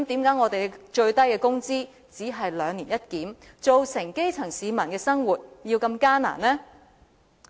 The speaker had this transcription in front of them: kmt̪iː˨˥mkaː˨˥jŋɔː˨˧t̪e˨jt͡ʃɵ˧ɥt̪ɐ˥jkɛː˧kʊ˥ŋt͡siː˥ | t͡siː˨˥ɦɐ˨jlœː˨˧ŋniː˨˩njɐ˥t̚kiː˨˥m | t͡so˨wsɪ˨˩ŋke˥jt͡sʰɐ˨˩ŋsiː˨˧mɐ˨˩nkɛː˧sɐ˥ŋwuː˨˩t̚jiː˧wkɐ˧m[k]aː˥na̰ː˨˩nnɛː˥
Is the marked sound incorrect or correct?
correct